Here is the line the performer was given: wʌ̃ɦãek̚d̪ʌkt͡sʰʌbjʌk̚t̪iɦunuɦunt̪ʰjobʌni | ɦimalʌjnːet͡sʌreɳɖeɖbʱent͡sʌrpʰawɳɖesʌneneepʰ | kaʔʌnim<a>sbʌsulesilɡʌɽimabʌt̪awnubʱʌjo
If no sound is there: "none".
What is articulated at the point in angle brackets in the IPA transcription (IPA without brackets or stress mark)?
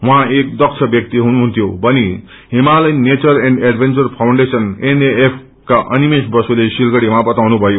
e